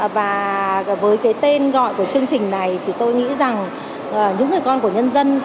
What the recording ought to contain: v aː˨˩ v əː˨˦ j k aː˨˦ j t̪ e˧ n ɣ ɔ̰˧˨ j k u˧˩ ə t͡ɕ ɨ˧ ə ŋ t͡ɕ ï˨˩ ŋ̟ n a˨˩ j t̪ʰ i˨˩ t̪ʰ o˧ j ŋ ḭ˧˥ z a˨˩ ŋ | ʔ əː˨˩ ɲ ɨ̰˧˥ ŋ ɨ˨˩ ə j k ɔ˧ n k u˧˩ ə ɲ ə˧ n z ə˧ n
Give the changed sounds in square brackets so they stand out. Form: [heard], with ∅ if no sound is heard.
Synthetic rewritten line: v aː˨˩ v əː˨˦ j k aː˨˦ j t̪ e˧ n ɣ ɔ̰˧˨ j k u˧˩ ə t͡ɕ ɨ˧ ə ŋ t͡ɕ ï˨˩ ŋ̟ n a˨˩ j t̪ʰ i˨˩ [t̪] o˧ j ŋ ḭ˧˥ z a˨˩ ŋ | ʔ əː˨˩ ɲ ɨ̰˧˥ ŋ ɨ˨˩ ə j k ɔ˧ n k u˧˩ ə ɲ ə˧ n z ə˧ n